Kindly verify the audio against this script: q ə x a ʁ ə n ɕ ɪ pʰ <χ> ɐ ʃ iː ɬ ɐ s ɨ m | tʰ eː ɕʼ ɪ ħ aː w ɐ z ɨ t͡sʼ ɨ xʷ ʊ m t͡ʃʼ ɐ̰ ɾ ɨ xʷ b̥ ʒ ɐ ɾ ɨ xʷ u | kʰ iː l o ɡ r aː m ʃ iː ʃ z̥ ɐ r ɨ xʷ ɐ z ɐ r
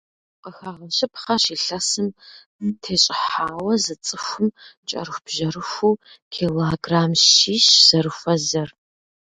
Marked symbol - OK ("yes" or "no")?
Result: yes